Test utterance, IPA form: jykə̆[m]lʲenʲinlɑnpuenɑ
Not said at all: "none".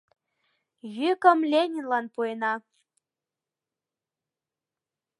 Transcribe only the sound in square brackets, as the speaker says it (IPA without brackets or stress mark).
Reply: m